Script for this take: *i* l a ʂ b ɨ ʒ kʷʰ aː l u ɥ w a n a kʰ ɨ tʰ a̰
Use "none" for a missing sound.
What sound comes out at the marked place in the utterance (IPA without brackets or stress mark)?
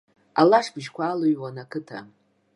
a